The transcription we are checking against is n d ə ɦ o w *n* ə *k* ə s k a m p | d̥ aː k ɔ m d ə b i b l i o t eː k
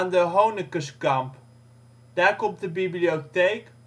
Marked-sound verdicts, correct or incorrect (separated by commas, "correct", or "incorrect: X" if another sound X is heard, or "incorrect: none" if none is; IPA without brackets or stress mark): correct, correct